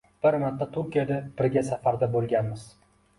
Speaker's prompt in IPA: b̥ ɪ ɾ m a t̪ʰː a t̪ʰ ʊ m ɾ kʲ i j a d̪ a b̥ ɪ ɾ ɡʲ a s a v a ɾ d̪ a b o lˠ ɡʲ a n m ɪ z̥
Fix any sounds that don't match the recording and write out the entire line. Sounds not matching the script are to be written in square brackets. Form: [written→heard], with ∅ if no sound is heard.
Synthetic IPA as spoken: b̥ ɪ ɾ m a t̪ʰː a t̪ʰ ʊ [m→∅] ɾ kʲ i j a d̪ a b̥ ɪ ɾ ɡʲ a s a [v→f] a ɾ d̪ a b o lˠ ɡʲ a n m ɪ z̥